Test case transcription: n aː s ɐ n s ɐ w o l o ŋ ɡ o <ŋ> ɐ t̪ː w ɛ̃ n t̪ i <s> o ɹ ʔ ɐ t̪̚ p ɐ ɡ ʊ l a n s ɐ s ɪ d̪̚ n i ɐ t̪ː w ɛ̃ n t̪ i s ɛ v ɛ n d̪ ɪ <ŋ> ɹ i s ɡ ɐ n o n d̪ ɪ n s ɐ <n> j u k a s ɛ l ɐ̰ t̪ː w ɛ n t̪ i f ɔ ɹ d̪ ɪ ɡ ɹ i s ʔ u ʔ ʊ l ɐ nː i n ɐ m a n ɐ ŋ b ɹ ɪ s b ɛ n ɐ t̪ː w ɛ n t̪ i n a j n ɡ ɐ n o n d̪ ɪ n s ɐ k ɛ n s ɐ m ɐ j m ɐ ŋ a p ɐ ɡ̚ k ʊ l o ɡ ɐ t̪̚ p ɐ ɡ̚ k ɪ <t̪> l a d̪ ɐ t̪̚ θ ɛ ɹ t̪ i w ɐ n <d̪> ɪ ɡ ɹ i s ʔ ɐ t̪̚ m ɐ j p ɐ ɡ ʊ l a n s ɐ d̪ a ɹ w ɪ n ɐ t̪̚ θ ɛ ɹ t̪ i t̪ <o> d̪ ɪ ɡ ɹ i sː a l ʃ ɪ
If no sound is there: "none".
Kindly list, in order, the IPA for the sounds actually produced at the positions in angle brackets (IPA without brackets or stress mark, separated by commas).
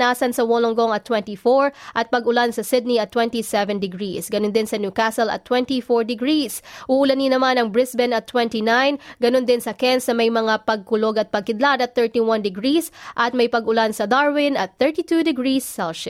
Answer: ŋ, f, ɡ, n, d̪, d̪, u